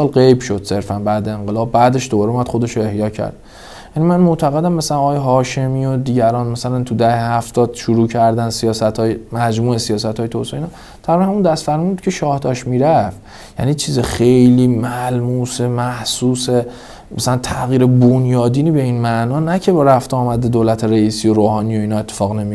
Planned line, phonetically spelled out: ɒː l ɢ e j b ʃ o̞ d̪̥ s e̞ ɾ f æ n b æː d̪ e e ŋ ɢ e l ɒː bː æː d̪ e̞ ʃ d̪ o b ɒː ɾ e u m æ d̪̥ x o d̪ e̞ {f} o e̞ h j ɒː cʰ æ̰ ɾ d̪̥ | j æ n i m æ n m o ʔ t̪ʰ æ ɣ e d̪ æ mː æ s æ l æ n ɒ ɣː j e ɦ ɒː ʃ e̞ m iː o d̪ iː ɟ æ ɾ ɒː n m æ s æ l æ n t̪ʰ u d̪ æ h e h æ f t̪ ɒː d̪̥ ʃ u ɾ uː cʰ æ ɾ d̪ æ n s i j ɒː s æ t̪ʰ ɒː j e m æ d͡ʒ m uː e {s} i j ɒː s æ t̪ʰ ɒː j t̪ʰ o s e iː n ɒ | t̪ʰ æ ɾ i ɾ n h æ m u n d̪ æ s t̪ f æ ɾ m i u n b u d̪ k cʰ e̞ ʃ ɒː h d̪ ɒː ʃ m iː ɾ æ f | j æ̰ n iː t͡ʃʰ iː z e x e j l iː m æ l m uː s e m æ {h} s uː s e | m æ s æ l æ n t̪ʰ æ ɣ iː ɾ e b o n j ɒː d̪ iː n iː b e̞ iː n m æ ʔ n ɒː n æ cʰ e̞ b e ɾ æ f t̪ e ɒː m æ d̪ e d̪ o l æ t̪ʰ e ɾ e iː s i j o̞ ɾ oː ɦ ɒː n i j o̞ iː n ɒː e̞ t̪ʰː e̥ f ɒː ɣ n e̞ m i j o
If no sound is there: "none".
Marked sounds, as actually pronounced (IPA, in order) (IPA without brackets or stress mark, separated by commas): ʃ, s, h